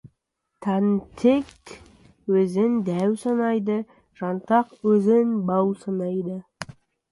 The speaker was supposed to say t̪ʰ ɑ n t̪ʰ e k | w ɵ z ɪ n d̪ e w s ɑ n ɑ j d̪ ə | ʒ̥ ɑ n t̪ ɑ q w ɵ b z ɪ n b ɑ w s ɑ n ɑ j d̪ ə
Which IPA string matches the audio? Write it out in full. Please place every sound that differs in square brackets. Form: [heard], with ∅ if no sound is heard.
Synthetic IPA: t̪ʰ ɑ n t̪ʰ e k | w ɵ z ɪ n d̪ [æ] w s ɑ n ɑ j d̪ ə | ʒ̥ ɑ n t̪ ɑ q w ɵ [∅] z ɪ n b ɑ w s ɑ n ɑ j d̪ ə